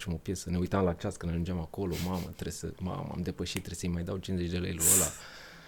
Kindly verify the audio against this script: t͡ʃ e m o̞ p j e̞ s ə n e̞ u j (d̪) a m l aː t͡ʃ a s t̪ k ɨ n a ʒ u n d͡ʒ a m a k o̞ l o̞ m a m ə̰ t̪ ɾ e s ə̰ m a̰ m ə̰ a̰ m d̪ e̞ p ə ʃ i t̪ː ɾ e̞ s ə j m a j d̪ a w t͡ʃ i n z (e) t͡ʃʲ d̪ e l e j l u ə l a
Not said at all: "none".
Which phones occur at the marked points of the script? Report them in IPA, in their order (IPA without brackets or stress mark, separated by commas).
t̪, e